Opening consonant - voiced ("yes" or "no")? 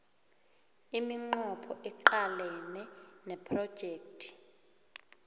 yes